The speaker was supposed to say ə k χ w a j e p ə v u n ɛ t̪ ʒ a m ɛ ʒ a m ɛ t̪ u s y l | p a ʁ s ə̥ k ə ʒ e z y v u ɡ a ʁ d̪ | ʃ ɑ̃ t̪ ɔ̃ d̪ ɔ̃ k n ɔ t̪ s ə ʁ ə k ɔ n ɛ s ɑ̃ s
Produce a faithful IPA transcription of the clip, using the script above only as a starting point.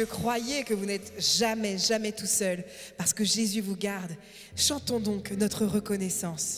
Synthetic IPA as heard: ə k χ w a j e k ə v u n ɛ t̪ ʒ a m ɛ ʒ a m ɛ t̪ u s œ l | p a ʁ s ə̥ k ə ʒ e z y v u ɡ a ʁ d̪ | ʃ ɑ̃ t̪ ɔ̃ d̪ ɔ̃ k n ɔ t̪ χ ə ʁ ə k ɔ n ɛ s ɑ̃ s